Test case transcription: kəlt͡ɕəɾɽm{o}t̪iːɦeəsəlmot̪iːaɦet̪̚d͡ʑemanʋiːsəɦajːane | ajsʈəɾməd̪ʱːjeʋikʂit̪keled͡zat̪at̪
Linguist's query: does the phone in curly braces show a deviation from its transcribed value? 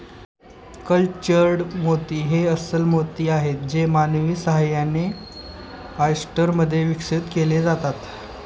no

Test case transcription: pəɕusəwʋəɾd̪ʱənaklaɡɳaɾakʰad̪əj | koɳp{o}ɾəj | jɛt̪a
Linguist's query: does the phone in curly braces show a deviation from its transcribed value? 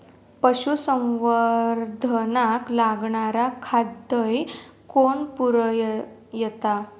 yes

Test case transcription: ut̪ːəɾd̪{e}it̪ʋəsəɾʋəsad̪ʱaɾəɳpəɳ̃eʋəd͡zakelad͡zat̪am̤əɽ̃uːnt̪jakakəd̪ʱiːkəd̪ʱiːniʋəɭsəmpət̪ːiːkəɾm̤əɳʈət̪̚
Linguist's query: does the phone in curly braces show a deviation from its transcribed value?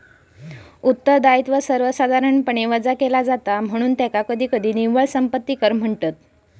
yes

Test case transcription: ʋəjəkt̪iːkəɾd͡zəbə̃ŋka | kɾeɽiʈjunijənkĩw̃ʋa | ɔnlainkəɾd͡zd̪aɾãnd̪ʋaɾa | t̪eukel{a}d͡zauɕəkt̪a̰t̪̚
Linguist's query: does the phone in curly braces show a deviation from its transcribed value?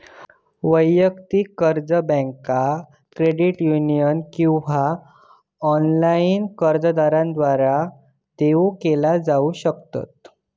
no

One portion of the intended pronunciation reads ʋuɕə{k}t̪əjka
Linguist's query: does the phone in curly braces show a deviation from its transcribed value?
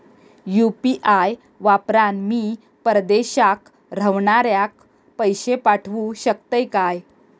no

